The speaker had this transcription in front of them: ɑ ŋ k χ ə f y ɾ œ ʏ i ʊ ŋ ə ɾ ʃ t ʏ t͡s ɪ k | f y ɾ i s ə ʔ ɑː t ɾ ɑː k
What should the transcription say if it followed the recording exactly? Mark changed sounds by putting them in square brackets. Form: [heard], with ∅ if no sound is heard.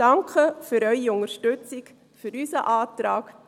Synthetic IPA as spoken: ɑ ŋ k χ ə f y ɾ œ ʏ i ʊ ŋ ə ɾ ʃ t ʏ t͡s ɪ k | f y ɾ [y] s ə ʔ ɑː t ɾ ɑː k